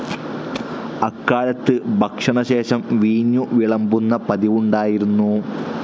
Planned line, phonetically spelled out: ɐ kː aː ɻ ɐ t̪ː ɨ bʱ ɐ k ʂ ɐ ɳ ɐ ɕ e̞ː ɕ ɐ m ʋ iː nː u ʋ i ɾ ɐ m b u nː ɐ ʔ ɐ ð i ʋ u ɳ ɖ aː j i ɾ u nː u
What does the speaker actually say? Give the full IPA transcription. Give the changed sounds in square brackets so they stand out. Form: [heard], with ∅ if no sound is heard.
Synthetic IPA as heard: ɐ kː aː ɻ ɐ t̪ː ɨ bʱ ɐ k ʂ ɐ ɳ ɐ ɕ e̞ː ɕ ɐ m ʋ iː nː u ʋ i [ɭ] ɐ m b u nː ɐ [p] ɐ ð i ʋ u ɳ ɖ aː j i ɾ u nː u